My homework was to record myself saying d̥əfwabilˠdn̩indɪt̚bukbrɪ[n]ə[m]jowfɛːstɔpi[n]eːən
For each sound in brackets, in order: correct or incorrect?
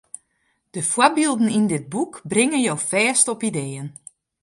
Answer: incorrect: ŋ, incorrect: n, incorrect: d

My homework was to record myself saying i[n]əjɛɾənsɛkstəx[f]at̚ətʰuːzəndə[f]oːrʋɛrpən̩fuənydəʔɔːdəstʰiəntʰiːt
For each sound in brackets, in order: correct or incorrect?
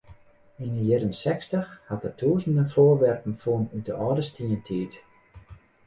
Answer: correct, incorrect: h, correct

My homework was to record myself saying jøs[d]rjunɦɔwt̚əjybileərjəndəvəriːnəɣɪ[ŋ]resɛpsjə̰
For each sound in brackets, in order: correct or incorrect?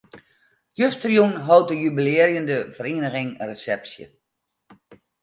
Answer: incorrect: t, correct

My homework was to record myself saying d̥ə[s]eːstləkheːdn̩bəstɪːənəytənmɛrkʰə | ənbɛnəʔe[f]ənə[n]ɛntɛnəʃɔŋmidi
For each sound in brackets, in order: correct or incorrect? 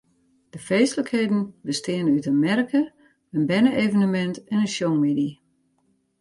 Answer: incorrect: f, incorrect: v, incorrect: m

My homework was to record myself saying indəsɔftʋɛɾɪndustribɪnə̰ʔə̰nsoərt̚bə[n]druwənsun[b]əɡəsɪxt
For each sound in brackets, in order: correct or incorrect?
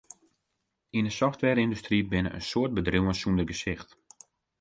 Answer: incorrect: none, incorrect: d

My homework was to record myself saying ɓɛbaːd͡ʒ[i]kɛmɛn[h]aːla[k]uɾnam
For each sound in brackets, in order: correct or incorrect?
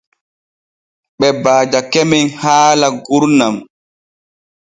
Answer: incorrect: a, correct, incorrect: ɡ

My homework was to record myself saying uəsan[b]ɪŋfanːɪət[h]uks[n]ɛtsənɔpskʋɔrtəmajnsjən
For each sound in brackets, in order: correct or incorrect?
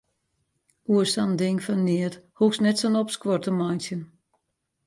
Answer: incorrect: d, correct, correct

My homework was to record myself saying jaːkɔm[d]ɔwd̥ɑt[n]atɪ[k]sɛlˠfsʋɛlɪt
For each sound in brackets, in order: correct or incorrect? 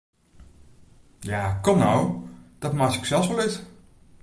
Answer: incorrect: n, incorrect: m, correct

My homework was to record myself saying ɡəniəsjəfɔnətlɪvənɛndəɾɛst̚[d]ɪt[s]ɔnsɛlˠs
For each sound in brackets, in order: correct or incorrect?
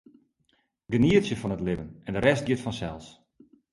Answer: incorrect: ɡ, incorrect: f

